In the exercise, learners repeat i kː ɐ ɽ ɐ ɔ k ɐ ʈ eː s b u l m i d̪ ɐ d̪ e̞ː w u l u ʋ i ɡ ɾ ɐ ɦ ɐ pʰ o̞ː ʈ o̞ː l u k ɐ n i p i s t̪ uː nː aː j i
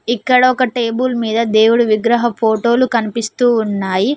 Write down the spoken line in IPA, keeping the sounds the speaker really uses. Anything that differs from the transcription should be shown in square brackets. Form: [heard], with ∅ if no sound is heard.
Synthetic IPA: i kː ɐ ɽ ɐ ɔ k ɐ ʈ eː [∅] b u l m [iː] d̪ ɐ d̪ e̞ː w u [ɽ] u ʋ i ɡ ɾ ɐ ɦ ɐ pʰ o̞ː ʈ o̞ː l u k ɐ n i p i s t̪ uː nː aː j i